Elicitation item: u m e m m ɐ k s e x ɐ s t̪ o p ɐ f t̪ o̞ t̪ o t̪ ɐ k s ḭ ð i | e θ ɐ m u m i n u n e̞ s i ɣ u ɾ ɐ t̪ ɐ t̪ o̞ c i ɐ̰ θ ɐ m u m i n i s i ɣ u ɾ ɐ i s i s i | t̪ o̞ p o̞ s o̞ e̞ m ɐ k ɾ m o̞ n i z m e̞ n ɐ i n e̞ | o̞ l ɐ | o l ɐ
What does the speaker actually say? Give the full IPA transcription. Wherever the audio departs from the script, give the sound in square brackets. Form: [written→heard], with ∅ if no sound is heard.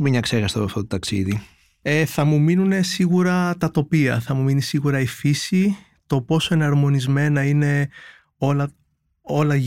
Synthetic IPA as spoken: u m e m [m→ɲ] ɐ k s e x ɐ s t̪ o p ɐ f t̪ o̞ t̪ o t̪ ɐ k s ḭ ð i | e θ ɐ m u m i n u n e̞ s i ɣ u ɾ ɐ t̪ ɐ t̪ o̞ [c→p] i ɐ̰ θ ɐ m u m i n i s i ɣ u ɾ ɐ i [s→f] i s i | t̪ o̞ p o̞ s o̞ e̞ [m→n] ɐ [k→∅] ɾ m o̞ n i z m e̞ n ɐ i n e̞ | o̞ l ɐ | o l ɐ